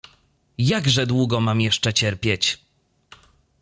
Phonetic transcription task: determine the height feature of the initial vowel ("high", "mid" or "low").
low